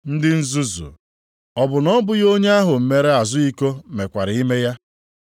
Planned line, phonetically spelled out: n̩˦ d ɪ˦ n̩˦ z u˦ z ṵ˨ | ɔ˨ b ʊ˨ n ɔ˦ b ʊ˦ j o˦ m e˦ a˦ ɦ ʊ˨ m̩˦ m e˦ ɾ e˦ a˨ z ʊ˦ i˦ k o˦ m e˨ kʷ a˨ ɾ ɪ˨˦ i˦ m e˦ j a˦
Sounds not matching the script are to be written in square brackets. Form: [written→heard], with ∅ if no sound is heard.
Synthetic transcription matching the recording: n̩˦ d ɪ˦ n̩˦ z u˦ z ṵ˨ | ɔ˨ b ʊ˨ n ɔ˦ b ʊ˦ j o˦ [m→ɲ] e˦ a˦ ɦ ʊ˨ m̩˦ m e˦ ɾ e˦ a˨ z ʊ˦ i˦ k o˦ m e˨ kʷ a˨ ɾ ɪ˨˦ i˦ m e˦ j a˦

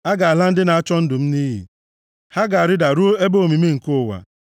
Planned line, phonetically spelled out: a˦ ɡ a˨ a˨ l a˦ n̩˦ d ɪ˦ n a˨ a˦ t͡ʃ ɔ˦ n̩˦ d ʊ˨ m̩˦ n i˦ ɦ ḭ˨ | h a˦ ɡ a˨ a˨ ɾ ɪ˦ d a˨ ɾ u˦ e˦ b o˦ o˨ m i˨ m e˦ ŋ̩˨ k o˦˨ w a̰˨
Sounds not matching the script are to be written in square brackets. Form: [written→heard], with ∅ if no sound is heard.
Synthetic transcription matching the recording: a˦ ɡ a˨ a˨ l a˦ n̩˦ d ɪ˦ n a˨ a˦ t͡ʃ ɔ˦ n̩˦ d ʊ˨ m̩˦ n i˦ ɦ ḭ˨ | h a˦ ɡ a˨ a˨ ɾ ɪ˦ d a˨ ɾ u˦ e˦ b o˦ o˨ m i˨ m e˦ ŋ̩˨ k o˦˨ w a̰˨

